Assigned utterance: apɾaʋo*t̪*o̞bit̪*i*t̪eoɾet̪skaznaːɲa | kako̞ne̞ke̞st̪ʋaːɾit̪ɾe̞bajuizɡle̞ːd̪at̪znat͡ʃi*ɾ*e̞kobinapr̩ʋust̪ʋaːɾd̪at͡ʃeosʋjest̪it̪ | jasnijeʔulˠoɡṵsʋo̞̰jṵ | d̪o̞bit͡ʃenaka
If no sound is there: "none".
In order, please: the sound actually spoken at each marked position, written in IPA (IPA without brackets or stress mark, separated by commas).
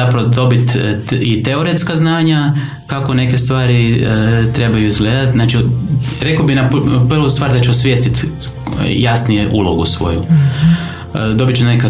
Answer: d̪, i, ɾ